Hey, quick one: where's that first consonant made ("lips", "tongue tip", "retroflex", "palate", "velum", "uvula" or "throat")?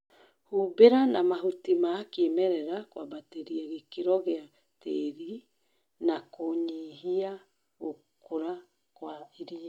throat